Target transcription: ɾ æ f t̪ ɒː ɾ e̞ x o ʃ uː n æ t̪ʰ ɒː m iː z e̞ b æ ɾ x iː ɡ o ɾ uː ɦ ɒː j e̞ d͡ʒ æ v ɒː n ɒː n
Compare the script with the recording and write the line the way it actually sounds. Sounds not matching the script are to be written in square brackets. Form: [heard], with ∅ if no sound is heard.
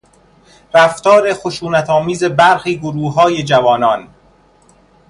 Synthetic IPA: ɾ æ f t̪ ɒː ɾ e̞ x o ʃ uː n æ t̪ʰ ɒː m iː z e̞ b æ ɾ x iː ɡ o ɾ uː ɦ ɒː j e̞ d͡ʒ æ v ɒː n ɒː n